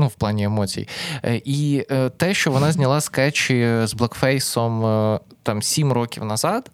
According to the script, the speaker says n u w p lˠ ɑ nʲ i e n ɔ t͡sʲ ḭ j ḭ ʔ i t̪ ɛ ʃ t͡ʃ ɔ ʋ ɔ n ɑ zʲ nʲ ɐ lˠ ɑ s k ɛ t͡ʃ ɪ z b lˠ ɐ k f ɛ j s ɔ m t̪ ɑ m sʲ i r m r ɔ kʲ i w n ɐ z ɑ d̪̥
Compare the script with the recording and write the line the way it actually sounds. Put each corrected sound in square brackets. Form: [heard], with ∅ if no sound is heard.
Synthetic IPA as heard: n u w p lˠ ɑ nʲ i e [m] ɔ t͡sʲ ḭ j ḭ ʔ i t̪ ɛ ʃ t͡ʃ ɔ ʋ ɔ n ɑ zʲ nʲ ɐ lˠ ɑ s k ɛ t͡ʃ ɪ z b lˠ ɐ k f ɛ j s ɔ m t̪ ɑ m sʲ i [∅] m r ɔ kʲ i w n ɐ z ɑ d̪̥